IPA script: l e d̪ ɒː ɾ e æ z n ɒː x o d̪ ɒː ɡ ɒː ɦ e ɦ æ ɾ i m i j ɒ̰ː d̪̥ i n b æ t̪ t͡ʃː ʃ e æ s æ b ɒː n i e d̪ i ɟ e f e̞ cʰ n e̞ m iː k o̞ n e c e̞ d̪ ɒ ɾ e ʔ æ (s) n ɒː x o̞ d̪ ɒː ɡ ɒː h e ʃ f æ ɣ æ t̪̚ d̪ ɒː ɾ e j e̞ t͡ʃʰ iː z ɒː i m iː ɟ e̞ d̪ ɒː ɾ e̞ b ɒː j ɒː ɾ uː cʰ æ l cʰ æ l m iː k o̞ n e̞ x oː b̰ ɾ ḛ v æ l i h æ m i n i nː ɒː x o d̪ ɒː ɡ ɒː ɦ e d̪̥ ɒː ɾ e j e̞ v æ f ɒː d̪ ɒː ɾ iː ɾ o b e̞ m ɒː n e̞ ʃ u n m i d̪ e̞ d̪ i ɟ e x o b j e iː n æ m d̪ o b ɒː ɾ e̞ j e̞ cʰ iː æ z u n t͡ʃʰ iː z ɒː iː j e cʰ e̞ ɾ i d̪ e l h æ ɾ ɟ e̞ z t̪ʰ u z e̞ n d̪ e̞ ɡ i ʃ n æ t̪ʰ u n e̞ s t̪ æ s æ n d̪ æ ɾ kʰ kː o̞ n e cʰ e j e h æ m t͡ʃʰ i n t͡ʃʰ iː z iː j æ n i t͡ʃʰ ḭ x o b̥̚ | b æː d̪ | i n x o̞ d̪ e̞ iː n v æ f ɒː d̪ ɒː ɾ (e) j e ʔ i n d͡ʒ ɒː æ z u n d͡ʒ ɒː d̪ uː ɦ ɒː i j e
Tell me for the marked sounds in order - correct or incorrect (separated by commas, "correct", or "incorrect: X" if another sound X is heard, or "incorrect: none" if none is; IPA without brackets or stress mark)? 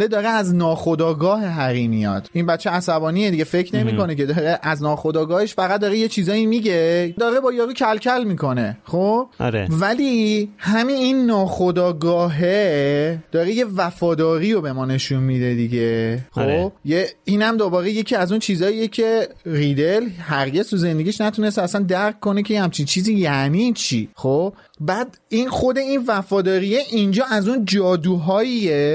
incorrect: z, incorrect: i